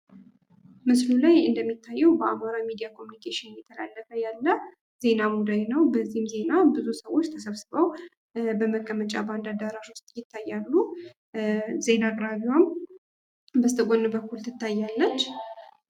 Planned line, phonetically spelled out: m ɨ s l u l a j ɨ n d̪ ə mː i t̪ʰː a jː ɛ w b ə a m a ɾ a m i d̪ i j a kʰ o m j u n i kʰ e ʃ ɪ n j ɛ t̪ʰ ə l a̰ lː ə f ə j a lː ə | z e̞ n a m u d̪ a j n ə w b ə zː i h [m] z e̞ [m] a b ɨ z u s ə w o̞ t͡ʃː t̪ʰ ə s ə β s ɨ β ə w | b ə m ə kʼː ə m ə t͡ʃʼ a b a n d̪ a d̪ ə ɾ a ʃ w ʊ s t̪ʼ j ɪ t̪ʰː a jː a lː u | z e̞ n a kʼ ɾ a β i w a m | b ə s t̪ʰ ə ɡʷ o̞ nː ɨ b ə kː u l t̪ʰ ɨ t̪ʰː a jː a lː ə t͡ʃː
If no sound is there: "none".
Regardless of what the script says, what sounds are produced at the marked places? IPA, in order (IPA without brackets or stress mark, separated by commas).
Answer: m, n